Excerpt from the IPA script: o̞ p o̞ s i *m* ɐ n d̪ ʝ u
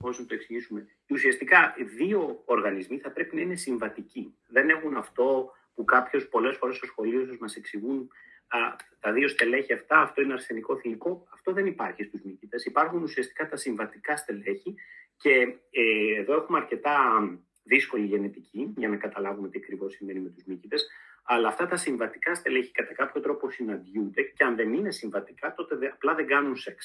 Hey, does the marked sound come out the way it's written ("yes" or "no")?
no